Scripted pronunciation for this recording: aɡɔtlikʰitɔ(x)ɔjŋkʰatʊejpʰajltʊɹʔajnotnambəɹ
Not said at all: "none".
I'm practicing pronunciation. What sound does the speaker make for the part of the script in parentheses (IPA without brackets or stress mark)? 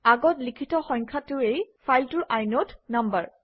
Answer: x